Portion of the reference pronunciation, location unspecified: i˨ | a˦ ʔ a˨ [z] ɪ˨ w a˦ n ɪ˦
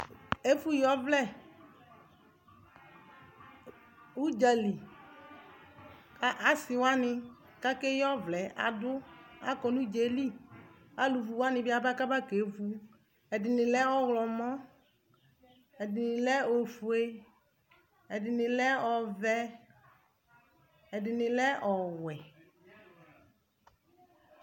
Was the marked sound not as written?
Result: yes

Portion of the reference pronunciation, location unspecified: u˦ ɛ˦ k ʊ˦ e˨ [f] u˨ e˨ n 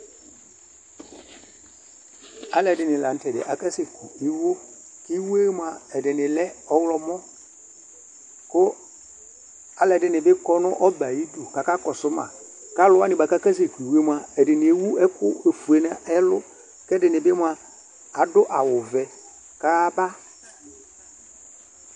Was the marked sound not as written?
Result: no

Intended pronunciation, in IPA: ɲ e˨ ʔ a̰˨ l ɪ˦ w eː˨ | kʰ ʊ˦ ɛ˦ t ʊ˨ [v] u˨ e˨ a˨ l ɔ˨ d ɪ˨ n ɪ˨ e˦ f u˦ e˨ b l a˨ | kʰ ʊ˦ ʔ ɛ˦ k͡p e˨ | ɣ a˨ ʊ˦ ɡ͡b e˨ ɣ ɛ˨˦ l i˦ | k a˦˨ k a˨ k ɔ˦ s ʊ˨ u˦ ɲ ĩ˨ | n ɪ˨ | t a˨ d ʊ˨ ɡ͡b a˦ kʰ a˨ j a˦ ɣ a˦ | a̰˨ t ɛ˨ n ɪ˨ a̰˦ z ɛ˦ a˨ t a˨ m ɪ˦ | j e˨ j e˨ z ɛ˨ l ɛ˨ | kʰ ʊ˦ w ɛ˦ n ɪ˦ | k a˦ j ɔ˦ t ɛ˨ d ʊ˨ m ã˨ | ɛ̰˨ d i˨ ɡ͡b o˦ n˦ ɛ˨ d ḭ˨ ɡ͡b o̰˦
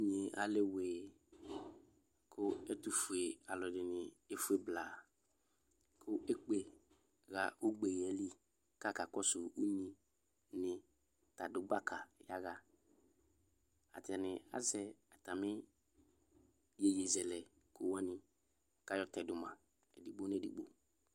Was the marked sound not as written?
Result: yes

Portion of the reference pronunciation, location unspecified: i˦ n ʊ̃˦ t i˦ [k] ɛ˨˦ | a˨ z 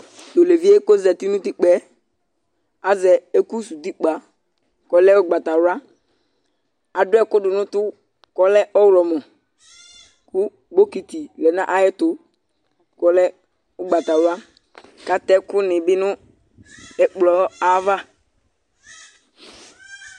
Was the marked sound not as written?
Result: yes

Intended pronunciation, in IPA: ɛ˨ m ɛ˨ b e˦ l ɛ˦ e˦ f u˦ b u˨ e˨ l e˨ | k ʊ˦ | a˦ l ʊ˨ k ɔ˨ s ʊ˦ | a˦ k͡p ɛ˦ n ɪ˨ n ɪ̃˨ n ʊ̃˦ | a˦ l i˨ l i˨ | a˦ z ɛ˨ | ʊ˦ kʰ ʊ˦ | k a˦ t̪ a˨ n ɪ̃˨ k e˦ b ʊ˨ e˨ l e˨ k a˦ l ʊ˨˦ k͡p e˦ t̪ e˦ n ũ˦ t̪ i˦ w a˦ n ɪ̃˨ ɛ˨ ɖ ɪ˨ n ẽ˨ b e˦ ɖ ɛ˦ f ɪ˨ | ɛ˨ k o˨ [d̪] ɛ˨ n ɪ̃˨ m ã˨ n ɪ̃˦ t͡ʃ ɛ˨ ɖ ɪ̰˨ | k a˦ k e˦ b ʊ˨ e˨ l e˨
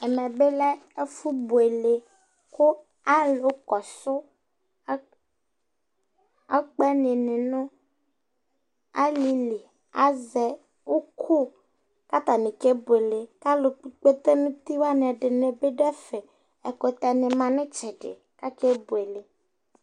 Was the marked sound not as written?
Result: yes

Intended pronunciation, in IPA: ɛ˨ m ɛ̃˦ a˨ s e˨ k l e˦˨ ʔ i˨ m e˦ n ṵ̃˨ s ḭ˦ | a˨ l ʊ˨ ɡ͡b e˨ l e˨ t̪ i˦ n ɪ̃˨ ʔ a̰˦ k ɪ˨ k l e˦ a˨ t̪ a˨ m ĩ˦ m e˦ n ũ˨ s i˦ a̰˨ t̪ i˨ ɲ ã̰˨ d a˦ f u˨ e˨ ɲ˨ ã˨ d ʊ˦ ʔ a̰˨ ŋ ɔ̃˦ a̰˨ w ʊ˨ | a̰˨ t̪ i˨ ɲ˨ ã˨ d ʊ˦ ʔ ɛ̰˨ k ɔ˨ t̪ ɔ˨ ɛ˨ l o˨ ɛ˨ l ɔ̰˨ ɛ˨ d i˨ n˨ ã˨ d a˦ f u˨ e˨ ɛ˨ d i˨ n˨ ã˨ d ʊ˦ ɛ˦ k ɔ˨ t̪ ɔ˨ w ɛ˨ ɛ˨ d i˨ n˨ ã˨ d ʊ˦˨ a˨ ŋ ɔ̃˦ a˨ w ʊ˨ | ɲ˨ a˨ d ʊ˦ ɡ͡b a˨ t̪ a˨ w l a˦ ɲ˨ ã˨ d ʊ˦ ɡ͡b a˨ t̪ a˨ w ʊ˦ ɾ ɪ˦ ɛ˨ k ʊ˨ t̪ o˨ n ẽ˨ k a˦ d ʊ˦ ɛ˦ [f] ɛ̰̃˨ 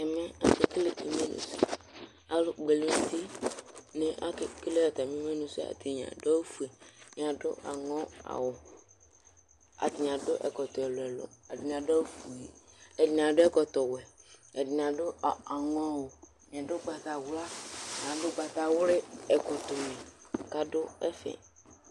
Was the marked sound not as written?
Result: no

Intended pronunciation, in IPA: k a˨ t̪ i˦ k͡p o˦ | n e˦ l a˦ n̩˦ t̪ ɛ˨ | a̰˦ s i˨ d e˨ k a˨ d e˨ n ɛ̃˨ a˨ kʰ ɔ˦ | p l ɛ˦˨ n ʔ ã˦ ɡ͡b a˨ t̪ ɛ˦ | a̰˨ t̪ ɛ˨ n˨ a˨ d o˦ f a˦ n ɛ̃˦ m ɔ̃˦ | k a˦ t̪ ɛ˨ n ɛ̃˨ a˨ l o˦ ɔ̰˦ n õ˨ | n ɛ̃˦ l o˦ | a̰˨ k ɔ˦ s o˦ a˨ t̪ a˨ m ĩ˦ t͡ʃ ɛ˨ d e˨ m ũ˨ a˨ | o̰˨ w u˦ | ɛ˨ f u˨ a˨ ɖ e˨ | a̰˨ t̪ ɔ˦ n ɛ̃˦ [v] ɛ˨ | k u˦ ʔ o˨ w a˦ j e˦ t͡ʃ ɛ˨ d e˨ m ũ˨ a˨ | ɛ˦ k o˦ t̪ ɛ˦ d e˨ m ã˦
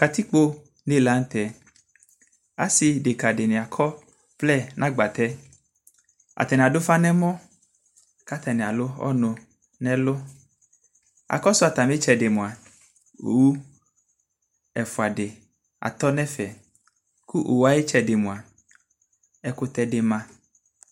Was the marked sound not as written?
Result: yes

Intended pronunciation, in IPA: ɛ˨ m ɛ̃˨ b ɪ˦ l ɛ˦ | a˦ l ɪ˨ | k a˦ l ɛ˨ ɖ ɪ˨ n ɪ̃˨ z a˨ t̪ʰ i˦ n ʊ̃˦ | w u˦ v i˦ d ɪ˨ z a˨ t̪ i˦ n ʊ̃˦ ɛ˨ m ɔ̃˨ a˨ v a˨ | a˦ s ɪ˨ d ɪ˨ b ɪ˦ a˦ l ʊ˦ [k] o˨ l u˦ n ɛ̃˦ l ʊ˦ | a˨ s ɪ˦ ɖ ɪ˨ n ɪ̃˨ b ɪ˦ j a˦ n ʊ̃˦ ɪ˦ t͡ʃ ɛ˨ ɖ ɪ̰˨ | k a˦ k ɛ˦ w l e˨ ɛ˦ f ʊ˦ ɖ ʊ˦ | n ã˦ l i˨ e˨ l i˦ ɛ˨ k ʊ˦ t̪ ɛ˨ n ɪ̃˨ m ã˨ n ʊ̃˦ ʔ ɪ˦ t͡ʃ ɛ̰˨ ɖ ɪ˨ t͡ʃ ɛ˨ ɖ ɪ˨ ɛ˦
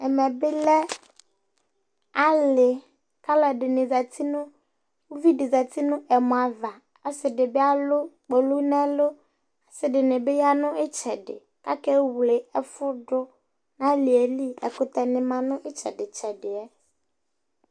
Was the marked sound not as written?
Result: yes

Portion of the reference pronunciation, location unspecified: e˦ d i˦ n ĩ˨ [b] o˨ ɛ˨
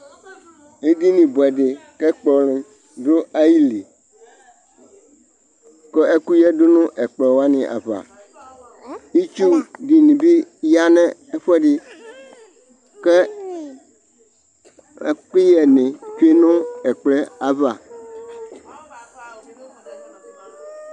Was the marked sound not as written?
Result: no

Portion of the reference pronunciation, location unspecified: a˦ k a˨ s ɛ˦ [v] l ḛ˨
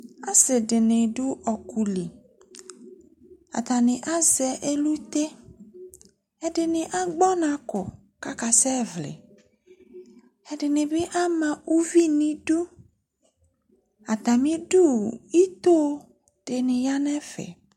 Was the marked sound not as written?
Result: no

